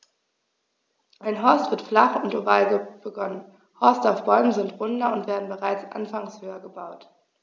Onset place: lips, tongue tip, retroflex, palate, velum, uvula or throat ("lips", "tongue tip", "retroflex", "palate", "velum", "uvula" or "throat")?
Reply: throat